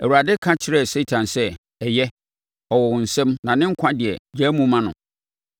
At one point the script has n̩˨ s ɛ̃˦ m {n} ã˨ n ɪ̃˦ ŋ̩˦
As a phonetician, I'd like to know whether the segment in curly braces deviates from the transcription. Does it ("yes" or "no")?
no